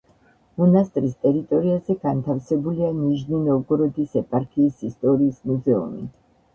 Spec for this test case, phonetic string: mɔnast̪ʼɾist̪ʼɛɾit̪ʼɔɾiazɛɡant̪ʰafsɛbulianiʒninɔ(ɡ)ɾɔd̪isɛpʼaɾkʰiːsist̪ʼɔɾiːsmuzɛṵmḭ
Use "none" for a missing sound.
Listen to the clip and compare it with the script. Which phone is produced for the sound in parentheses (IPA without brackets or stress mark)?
ɡ